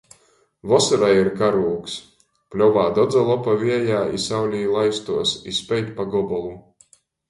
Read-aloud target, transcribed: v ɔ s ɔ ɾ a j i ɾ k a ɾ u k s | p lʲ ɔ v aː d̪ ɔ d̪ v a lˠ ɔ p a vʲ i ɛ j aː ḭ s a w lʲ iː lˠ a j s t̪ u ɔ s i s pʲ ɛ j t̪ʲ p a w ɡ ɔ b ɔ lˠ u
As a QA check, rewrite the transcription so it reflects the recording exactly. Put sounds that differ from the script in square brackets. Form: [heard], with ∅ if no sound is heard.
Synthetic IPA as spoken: v ɔ s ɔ ɾ a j i ɾ k a ɾ [uː] k s | p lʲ ɔ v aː d̪ ɔ d̪ [z] a lˠ ɔ p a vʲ i ɛ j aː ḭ s a w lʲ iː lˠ a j s t̪ u ɔ s i s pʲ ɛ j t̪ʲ p a [∅] ɡ ɔ b ɔ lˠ u